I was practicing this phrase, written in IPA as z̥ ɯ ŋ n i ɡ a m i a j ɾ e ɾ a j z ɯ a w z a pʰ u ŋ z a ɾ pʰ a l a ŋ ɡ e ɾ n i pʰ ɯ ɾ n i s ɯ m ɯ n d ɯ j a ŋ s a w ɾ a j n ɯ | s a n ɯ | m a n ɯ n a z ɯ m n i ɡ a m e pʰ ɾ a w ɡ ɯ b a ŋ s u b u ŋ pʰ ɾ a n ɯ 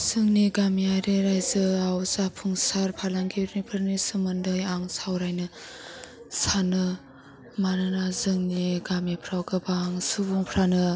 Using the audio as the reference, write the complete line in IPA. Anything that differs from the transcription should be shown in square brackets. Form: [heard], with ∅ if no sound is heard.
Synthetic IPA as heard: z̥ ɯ ŋ n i ɡ a m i a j ɾ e ɾ a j z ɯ a w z a pʰ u ŋ [s] a ɾ pʰ a l a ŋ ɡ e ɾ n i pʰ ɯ ɾ n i s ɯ m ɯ n d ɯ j a ŋ s a w ɾ a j n ɯ | s a n ɯ | m a n ɯ n a z ɯ [ŋ] n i ɡ a m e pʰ ɾ a w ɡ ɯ b a ŋ s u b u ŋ pʰ ɾ a n ɯ

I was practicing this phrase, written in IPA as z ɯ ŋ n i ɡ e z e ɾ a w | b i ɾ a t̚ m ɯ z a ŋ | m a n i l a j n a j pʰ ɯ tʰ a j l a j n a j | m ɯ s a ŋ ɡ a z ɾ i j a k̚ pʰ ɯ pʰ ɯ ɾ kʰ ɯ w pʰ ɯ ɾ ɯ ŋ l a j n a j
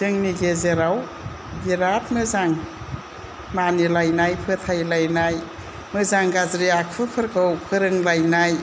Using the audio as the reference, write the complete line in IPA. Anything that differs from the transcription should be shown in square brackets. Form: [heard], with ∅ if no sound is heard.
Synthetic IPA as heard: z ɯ ŋ n i ɡ e z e ɾ a w | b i ɾ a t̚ m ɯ z a ŋ | m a n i l a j n a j pʰ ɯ tʰ a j l a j n a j | m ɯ [z] a ŋ ɡ a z ɾ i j a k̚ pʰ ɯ pʰ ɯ ɾ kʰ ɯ w pʰ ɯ ɾ ɯ ŋ l a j n a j

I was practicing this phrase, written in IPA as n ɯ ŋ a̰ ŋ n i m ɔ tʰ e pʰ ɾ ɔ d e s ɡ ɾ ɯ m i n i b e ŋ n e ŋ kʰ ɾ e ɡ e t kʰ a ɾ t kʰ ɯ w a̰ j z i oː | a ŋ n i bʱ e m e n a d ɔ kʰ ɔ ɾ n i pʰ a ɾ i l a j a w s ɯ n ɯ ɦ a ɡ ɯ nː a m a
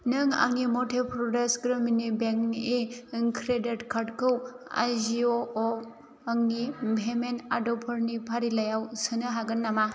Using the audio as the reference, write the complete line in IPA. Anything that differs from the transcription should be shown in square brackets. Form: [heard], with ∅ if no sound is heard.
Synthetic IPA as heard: n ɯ ŋ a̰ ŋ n i m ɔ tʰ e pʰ ɾ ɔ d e s ɡ ɾ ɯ m i n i b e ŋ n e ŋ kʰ ɾ e [d] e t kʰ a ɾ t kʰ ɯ w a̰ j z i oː | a ŋ n i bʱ e m e n a d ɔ [pʰ] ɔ ɾ n i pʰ a ɾ i l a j a w s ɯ n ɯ ɦ a ɡ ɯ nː a m a

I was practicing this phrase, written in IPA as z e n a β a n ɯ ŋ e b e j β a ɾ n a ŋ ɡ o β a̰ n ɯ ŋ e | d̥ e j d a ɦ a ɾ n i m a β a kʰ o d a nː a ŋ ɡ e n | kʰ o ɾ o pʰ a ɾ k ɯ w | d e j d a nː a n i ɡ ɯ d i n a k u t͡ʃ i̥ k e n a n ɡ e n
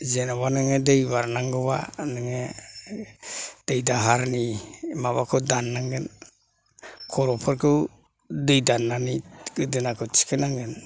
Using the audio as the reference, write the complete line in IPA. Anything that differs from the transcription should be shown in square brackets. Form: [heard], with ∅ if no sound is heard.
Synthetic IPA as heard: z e n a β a n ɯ ŋ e [d] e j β a ɾ n a ŋ ɡ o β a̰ n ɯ ŋ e | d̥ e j d a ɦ a ɾ n i m a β a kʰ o d a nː a ŋ ɡ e n | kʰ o ɾ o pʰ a ɾ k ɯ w | d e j d a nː a n i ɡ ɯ d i n a k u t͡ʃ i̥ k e n a [ŋ] ɡ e n

